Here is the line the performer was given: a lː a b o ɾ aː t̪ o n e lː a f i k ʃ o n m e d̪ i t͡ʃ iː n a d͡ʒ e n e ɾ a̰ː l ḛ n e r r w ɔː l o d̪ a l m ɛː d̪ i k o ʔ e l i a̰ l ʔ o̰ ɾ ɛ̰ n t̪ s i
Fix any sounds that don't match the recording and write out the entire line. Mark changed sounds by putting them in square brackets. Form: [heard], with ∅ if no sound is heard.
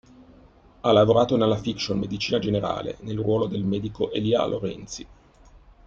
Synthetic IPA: a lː a [v] o ɾ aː t̪ o n e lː a f i k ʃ o n m e d̪ i t͡ʃ iː n a d͡ʒ e n e ɾ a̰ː l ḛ n e [l] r w ɔː l o d̪ [e] l m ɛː d̪ i k o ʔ e l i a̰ l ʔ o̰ ɾ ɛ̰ n t̪ s i